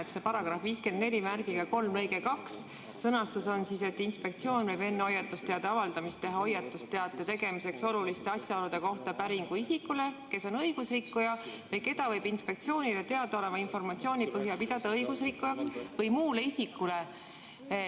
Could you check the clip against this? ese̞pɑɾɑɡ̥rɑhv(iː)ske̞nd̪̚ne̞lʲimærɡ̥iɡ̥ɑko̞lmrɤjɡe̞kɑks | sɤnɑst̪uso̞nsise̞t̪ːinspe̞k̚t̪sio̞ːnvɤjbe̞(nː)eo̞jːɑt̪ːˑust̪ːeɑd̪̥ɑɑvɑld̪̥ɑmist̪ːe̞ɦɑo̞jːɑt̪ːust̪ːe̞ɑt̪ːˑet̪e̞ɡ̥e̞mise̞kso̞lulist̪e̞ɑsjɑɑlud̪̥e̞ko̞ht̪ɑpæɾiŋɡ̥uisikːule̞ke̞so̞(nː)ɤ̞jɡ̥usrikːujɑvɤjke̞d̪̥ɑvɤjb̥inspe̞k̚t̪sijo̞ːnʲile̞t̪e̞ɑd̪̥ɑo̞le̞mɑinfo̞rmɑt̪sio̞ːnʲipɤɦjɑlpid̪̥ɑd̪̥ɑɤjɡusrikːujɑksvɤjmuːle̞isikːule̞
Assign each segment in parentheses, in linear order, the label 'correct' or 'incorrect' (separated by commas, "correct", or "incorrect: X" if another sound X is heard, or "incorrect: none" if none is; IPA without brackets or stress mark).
correct, correct, incorrect: n